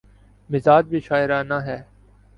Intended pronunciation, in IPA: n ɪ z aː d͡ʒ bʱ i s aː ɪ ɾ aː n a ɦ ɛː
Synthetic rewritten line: m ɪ z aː d͡ʒ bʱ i ʃ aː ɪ ɾ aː n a ɦ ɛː